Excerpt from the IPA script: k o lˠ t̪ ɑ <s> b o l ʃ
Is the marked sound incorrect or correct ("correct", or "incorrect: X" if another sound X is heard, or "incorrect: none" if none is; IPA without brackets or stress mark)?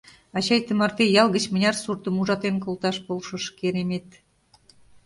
incorrect: ʃ